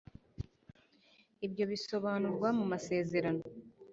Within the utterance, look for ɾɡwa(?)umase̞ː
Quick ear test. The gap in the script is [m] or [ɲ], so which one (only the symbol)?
m